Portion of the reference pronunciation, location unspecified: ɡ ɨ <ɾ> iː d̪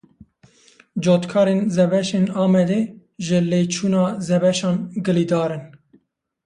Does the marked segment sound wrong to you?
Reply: yes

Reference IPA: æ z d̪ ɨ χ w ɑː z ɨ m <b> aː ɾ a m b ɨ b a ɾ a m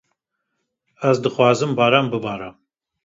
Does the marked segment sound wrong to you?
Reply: no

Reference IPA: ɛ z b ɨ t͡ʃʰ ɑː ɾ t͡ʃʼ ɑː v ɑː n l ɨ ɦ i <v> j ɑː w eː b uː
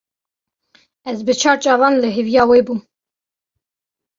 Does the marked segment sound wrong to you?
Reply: no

